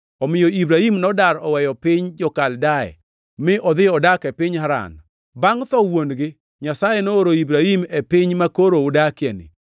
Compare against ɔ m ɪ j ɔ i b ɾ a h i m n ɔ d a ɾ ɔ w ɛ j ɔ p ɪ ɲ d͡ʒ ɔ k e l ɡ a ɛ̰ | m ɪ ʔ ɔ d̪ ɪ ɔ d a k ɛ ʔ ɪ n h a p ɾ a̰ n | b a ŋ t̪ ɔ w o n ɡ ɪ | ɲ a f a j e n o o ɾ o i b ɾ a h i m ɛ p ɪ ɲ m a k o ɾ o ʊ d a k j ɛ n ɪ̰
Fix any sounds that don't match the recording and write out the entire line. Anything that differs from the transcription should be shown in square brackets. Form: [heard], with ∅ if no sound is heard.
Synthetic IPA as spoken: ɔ m ɪ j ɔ i b ɾ a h i m n ɔ d a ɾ ɔ w ɛ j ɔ p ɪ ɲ d͡ʒ ɔ k [a] l [d] a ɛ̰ | m ɪ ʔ ɔ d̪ ɪ ɔ d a k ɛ [p] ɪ [ɲ] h a [∅] ɾ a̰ n | b a ŋ t̪ ɔ w o n ɡ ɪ | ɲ a [s] a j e n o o ɾ o i b ɾ a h i m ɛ p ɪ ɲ m a k o ɾ o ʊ d a k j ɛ n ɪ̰